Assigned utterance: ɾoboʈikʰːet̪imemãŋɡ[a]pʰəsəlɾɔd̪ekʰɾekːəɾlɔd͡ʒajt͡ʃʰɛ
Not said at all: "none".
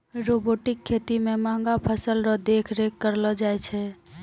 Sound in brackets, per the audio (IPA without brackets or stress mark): a